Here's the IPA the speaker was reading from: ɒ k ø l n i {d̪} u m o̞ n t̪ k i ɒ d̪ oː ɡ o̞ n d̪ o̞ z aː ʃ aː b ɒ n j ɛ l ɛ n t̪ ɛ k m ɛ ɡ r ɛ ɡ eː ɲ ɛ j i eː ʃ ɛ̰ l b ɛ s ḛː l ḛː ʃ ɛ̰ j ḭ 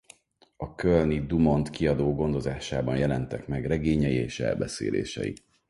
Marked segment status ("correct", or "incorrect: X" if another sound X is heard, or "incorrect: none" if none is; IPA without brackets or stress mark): correct